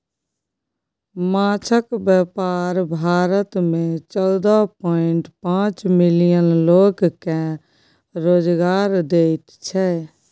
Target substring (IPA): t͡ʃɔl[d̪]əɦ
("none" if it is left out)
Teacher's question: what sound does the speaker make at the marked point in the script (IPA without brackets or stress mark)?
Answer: d̪